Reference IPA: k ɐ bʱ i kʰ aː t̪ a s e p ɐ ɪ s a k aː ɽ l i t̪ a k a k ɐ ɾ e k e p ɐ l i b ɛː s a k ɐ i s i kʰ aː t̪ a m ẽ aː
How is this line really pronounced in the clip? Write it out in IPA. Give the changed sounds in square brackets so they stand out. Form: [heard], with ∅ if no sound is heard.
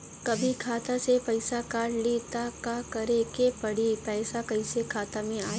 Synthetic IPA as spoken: k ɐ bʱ i kʰ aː t̪ a s e p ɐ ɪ s a k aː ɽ l i t̪ a k a k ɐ ɾ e k e p ɐ [ɽ] i [p] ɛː s a k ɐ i s [e] kʰ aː t̪ a m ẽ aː